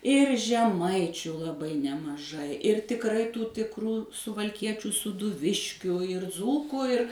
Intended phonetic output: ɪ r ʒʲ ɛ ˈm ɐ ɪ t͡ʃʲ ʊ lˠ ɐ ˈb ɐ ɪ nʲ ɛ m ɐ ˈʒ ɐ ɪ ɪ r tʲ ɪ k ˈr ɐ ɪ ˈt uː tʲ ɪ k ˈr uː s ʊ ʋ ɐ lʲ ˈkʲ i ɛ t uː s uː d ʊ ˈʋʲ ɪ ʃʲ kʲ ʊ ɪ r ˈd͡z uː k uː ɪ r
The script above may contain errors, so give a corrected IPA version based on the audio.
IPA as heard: ɪ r ʒʲ ɛ ˈm ɐ ɪ t͡ʃʲ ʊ lˠ ɐ ˈb ɐ ɪ nʲ ɛ m ɐ ˈʒ ɐ ɪ ɪ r tʲ ɪ k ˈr ɐ ɪ ˈt uː tʲ ɪ k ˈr uː s ʊ ʋ ɐ lʲ ˈkʲ i ɛ t͡ʃʲ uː s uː d ʊ ˈʋʲ ɪ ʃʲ kʲ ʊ ɪ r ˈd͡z uː k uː ɪ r